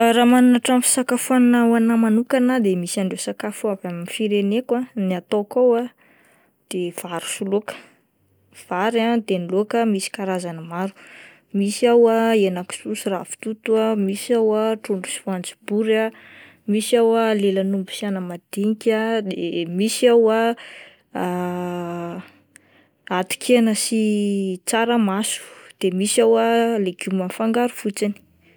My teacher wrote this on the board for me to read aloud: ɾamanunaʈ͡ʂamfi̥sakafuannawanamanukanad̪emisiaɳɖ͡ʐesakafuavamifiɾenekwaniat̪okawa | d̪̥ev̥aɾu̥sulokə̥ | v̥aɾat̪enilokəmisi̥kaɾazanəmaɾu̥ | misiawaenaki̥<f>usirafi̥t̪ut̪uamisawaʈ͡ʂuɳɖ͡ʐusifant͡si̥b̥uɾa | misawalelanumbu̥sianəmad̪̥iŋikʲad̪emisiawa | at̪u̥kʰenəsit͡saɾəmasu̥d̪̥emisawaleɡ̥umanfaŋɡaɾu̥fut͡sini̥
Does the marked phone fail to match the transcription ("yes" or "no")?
yes